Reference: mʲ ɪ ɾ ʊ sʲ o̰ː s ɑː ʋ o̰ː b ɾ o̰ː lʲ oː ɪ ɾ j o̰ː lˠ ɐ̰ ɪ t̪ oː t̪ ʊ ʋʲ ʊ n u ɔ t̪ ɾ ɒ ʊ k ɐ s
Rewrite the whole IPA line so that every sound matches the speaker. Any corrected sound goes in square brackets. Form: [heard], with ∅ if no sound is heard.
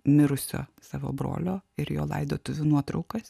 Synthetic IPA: mʲ ɪ ɾ ʊ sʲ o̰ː s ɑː ʋ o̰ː b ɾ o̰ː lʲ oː ɪ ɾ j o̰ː lˠ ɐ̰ ɪ [d̪] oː t̪ ʊ ʋʲ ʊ n u ɔ t̪ ɾ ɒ ʊ k ɐ s